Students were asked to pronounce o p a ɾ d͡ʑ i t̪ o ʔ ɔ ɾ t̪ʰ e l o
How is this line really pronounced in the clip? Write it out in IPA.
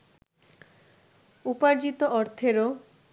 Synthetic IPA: u p a ɾ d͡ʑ i t̪ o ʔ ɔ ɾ t̪ʰ e ɾ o